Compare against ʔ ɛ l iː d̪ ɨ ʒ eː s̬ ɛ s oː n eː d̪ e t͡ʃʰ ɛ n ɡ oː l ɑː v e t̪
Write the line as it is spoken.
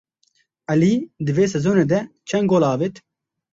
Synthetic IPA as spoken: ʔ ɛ l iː d̪ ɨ v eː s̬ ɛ z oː n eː d̪ ɛ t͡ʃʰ ɛ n ɡ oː l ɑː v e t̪